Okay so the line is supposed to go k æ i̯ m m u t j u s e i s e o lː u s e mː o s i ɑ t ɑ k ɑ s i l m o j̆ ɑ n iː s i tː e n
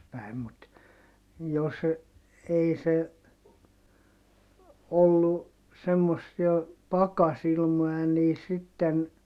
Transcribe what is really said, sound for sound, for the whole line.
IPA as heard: p æ i̯ m m u t j o s e i s e o lː u s e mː o sː i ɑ p ɑ k ɑ s i l m o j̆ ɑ n iː s i tː e n